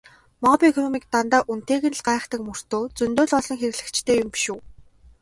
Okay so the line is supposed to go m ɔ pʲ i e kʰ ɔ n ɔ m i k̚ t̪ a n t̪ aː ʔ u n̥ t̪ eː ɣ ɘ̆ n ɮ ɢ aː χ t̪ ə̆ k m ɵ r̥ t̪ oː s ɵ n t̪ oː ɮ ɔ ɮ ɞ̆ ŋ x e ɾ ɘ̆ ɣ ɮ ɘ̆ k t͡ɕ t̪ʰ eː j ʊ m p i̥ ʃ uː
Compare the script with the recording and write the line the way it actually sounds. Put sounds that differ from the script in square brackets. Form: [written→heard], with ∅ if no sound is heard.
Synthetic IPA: m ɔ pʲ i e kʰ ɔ n ɔ m i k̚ t̪ a n t̪ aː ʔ u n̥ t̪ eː ɣ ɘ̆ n ɮ ɢ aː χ t̪ ə̆ k m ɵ r̥ t̪ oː [s→t͡s] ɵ n t̪ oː ɮ ɔ ɮ ɞ̆ ŋ x e ɾ ɘ̆ ɣ ɮ ɘ̆ k t͡ɕ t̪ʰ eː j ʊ m p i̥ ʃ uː